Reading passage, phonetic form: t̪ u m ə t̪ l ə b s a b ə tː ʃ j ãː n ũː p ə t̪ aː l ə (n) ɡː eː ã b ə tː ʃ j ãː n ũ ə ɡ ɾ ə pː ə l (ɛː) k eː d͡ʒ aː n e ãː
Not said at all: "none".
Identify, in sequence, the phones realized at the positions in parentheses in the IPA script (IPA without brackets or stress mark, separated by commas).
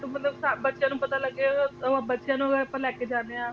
none, ɛː